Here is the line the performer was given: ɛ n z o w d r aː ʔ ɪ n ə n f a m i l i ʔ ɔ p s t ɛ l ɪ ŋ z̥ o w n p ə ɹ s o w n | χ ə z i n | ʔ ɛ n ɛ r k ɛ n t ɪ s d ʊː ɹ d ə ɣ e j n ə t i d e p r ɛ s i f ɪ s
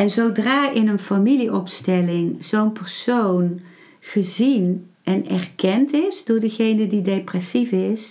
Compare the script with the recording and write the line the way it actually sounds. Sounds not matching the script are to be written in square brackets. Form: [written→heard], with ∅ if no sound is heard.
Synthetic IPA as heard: ɛ n z o w d r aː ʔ ɪ n ə n f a m i l i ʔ ɔ p s t ɛ l ɪ ŋ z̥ o w n p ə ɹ s o w n | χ ə z i n | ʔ ɛ n ɛ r k ɛ n t ɪ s d ʊː ɹ d ə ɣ e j n ə [t→d] i d e p r ɛ s i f ɪ s